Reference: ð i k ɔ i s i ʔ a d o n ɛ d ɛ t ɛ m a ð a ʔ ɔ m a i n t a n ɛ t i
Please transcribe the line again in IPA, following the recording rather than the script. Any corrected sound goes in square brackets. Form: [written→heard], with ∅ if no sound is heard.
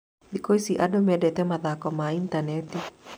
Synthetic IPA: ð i k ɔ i s i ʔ a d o [n→m] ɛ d ɛ t ɛ m a ð a [ʔ→k] ɔ m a i n t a n ɛ t i